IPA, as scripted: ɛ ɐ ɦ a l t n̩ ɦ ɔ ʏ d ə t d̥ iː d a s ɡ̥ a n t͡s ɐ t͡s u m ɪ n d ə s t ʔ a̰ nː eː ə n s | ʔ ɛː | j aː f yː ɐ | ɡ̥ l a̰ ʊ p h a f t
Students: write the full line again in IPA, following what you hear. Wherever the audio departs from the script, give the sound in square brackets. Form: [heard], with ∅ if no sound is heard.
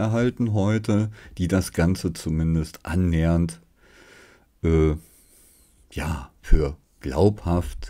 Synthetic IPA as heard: ɛ ɐ ɦ a l t n̩ ɦ ɔ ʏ [t] ə [∅] d̥ iː d a s ɡ̥ a n t͡s [ə] t͡s u m ɪ n d ə s t ʔ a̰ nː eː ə n [t] | ʔ ɛː | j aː f yː ɐ | ɡ̥ l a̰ ʊ p h a f t